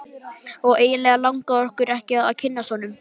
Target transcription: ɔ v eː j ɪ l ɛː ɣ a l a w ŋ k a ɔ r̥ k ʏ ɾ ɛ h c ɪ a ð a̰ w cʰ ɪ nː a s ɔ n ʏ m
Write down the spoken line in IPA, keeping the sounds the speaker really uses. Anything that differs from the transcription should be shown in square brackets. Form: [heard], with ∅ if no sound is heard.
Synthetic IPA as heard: ɔ [ɣ] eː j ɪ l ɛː ɣ a l a w ŋ k a ɔ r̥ k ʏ ɾ ɛ h c ɪ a ð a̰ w cʰ ɪ nː a s ɔ n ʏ m